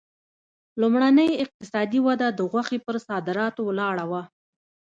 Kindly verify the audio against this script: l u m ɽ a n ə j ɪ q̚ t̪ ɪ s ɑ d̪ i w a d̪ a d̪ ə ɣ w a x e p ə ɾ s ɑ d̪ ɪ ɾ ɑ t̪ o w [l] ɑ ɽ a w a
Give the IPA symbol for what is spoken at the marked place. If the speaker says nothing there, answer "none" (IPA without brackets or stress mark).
l